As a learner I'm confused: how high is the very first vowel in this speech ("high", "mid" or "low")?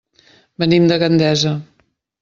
mid